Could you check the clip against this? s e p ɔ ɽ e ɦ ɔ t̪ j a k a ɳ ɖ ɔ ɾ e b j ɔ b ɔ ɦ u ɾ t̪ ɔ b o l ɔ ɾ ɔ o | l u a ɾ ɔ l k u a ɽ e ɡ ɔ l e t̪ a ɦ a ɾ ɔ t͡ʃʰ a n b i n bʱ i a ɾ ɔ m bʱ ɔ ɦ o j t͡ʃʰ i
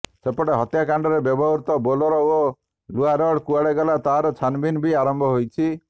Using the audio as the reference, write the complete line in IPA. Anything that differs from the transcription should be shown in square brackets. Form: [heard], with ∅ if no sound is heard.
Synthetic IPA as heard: s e p ɔ ɽ e ɦ ɔ t̪ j a k a ɳ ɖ ɔ ɾ e b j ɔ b ɔ ɦ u ɾ t̪ ɔ b o l ɔ ɾ ɔ o | l u a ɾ ɔ [ɽ] k u a ɽ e ɡ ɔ l [a] t̪ a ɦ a ɾ ɔ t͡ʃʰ a n b i n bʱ i a ɾ ɔ m bʱ ɔ ɦ o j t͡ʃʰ i